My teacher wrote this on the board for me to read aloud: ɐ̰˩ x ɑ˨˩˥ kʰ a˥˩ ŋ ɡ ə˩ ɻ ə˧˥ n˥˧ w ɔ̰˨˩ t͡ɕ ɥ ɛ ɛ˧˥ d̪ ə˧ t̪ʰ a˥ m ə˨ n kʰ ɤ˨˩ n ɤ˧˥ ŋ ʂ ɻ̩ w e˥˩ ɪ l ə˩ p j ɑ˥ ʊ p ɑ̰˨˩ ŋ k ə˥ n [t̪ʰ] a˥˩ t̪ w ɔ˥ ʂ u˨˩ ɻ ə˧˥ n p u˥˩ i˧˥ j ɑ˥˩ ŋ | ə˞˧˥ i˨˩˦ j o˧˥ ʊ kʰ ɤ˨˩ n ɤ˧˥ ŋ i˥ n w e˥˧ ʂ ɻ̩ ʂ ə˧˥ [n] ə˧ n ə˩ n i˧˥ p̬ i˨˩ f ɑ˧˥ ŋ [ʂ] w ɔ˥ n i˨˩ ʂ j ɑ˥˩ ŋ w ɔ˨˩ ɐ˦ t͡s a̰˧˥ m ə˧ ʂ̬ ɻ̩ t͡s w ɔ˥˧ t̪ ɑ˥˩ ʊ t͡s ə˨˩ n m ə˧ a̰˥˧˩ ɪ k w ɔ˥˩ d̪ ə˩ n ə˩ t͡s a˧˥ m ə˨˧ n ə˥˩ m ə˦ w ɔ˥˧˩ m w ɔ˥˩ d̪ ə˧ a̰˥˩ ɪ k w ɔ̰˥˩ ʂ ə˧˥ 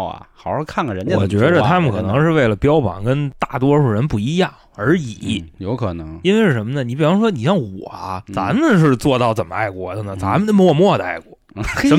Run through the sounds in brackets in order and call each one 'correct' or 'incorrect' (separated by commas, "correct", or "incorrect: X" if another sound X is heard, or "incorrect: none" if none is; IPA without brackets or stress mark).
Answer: incorrect: t̪, incorrect: m, correct